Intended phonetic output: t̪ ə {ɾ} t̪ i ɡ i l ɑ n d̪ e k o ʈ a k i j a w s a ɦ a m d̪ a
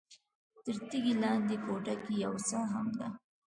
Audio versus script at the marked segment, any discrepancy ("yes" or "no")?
no